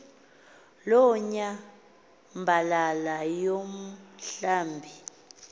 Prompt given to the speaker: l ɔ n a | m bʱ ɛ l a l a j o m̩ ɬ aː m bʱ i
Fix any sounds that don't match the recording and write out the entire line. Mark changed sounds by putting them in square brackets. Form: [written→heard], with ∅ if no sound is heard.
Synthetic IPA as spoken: l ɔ [n→ɲ] a | m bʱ [ɛ→a] l a l a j o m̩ ɬ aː m bʱ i